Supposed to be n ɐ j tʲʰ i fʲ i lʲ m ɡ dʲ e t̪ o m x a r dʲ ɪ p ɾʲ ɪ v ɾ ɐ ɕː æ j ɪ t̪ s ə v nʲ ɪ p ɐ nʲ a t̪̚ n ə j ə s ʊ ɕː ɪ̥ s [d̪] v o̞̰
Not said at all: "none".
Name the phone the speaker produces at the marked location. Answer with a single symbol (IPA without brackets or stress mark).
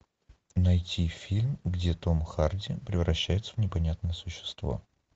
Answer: t̪